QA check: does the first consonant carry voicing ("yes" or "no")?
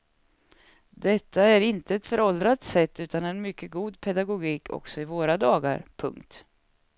yes